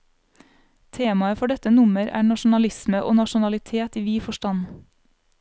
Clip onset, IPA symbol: t̪ʰ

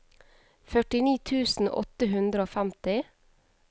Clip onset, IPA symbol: f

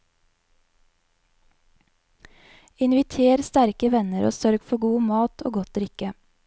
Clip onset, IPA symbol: ɪ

